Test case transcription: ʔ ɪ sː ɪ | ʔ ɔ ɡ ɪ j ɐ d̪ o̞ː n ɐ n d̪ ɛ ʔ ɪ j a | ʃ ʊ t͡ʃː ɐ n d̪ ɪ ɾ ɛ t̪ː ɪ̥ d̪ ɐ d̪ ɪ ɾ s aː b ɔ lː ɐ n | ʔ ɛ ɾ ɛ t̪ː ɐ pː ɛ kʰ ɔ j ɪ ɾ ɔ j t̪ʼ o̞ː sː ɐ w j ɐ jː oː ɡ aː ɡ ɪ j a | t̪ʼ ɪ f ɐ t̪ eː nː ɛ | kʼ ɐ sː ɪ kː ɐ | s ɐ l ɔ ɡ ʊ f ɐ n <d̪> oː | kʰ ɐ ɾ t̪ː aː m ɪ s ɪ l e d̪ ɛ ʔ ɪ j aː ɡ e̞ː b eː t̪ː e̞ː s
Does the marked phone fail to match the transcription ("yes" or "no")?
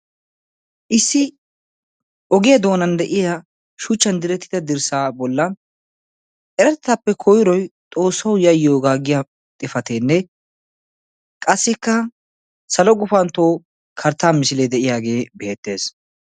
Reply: yes